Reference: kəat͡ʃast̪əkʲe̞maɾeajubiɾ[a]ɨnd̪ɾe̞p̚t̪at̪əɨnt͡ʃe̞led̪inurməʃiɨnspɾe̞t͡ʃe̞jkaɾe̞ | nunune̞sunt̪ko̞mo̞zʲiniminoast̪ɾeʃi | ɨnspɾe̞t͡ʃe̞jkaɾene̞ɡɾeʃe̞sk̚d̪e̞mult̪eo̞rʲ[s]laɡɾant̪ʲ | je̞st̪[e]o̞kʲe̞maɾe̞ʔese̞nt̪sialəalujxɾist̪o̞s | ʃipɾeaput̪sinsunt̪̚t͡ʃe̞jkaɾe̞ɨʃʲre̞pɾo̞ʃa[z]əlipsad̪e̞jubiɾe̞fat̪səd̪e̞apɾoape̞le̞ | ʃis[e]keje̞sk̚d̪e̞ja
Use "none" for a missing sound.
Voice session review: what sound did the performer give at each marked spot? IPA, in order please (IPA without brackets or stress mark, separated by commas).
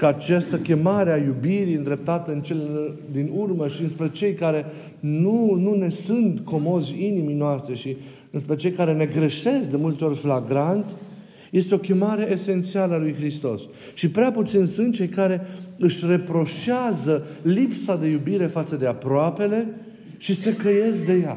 i, f, e, z, e